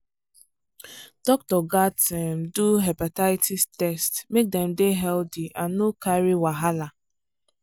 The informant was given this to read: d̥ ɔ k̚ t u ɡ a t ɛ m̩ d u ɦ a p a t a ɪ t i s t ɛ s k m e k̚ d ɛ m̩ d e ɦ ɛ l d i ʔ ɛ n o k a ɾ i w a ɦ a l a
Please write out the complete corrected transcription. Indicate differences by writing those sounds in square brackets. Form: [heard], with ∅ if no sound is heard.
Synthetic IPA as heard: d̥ ɔ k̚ t [ɔ] ɡ a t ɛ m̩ d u ɦ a p a t a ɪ t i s t ɛ s [t] m e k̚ d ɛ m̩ d e ɦ ɛ l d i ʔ [a] n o k a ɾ i w a ɦ a l a